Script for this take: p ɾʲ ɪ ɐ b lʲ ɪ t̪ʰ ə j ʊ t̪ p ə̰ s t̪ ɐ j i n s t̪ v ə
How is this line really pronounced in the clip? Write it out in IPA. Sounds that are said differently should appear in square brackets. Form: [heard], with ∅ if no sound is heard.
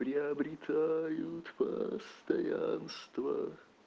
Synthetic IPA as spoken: p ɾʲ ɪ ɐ b [ɾʲ] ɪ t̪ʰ [a] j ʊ t̪ p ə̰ s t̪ ɐ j [a] n s t̪ v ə